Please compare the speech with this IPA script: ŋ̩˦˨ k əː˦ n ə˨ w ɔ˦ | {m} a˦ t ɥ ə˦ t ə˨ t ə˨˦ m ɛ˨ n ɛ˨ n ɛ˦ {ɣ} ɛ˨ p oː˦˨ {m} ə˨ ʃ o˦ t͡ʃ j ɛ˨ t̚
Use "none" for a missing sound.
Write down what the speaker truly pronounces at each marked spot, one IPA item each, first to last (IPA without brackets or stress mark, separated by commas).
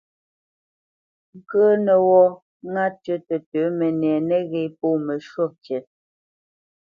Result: ŋ, ɣ, m